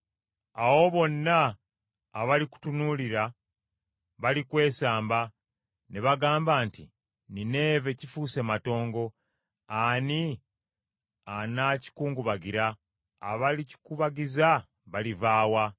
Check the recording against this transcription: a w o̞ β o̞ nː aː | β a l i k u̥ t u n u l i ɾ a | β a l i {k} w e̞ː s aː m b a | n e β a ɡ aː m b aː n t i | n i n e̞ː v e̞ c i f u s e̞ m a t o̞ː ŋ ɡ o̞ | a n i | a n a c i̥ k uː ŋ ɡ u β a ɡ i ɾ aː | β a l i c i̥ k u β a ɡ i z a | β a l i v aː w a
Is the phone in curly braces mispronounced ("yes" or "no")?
no